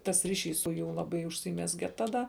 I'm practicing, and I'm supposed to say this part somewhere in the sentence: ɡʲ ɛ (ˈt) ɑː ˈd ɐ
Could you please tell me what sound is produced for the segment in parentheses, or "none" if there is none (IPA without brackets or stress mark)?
t